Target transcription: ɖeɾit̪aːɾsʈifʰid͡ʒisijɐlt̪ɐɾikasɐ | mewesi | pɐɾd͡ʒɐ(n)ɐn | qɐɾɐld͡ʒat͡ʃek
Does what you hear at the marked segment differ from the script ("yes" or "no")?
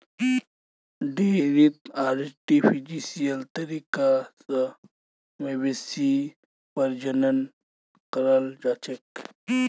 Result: no